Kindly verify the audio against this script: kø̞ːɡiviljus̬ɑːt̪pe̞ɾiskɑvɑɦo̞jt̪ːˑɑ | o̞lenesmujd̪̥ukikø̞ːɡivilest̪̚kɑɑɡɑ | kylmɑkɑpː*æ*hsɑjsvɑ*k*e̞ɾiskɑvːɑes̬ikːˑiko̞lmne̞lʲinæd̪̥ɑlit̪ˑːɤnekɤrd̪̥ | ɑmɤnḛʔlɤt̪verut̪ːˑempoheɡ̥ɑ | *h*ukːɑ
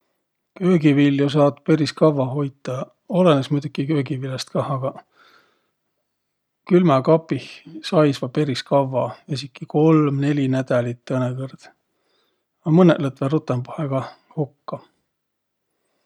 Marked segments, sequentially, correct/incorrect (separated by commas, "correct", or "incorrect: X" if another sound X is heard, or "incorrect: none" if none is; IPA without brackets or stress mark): incorrect: i, incorrect: p, correct